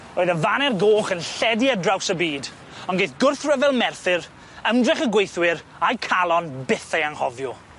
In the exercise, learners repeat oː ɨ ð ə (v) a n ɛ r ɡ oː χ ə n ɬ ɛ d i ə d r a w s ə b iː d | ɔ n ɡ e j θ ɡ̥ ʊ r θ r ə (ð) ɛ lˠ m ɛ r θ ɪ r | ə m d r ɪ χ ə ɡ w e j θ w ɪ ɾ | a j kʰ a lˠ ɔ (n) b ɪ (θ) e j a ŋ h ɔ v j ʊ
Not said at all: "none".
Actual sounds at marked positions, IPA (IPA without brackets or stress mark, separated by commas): v, v, n, θ